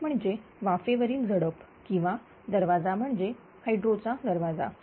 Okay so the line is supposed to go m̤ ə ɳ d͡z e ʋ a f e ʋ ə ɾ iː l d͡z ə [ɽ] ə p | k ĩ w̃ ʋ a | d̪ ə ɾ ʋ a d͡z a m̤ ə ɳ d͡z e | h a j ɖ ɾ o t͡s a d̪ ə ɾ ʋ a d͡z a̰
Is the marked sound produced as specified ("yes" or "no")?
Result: yes